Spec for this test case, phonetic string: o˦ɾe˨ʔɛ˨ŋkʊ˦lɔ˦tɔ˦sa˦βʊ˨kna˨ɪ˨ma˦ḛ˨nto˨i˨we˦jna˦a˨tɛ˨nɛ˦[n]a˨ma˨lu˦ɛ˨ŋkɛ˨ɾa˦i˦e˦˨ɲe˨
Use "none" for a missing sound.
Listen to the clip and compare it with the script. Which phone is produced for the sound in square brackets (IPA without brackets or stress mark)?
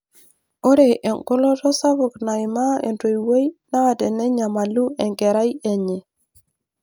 ɲ